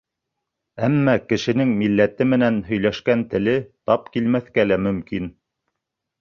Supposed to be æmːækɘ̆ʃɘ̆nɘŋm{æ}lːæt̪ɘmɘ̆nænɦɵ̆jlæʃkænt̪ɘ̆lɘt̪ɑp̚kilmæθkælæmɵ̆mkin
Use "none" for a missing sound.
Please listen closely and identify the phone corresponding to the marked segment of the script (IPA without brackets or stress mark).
i